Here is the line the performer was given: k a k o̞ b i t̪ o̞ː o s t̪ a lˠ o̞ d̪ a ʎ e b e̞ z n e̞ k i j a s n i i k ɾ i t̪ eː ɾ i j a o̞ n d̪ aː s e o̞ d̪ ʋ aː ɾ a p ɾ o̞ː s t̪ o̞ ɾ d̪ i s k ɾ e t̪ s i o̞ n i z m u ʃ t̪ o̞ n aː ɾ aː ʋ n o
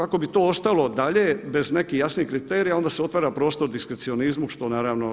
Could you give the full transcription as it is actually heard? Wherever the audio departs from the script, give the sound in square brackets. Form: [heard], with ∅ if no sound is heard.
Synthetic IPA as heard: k a k o̞ b i t̪ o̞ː o s t̪ a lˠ o̞ d̪ a ʎ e b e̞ z n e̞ k i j a s n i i k ɾ i t̪ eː ɾ i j a o̞ n d̪ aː s e o̞ [t̪] ʋ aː ɾ a p ɾ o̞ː s t̪ o̞ ɾ d̪ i s k ɾ e t̪ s i o̞ n i z m u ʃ t̪ o̞ n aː ɾ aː ʋ n o